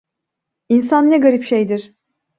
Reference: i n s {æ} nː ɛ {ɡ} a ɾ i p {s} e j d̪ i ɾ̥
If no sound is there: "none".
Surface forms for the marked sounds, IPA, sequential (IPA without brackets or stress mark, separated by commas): a, ɡ, ʃ